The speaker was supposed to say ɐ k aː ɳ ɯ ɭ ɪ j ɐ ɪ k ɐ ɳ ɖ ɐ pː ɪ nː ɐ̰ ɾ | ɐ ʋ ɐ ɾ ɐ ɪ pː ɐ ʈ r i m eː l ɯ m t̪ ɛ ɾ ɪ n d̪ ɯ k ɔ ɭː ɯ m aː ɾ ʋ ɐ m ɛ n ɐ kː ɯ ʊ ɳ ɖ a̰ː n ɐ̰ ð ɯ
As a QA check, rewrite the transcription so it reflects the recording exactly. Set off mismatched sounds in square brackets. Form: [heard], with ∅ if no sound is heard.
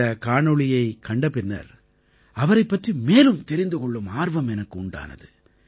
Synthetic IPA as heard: ɐ k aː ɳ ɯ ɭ ɪ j ɐ ɪ k ɐ ɳ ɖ ɐ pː ɪ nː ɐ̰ ɾ | ɐ ʋ ɐ ɾ ɐ ɪ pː ɐ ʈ r i m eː l ɯ m t̪ ɛ ɾ ɪ n d̪ ɯ k ɔ ɭː ɯ m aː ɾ ʋ ɐ m ɛ n ɐ kː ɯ ʊ ɳ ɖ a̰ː n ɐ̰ ð ɯ